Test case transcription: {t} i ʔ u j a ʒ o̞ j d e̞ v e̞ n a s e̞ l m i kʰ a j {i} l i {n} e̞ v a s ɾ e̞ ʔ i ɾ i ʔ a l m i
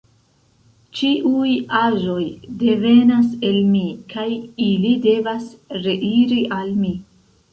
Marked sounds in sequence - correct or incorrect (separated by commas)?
incorrect, correct, incorrect